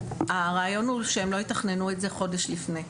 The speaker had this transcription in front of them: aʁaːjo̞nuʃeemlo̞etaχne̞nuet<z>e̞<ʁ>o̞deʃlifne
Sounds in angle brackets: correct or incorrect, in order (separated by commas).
correct, incorrect